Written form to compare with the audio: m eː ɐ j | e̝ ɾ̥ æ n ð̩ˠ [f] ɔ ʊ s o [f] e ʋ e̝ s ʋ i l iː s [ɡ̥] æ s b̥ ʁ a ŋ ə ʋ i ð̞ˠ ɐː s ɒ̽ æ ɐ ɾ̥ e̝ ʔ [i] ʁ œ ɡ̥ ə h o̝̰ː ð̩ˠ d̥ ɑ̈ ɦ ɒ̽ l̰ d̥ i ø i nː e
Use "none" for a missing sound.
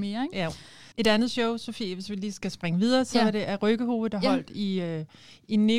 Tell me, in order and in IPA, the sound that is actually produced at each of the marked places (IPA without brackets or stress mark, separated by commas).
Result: ɕ, f, ɡ̥, æ